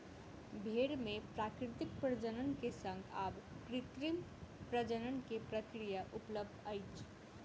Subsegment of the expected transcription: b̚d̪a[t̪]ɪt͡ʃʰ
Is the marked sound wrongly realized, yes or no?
yes